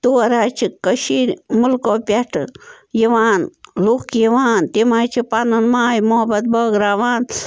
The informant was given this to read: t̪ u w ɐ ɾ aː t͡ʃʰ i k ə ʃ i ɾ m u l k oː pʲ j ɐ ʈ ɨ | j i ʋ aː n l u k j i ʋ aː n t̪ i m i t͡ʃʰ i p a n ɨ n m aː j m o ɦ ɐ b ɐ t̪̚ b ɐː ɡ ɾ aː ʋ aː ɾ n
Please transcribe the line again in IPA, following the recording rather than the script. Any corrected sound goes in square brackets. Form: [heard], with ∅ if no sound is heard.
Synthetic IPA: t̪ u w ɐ ɾ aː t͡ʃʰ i k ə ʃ i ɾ m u l k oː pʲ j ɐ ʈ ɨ | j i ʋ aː n l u k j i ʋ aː n t̪ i m [a] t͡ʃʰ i p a n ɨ n m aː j m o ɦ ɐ b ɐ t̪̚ b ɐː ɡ ɾ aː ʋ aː [∅] n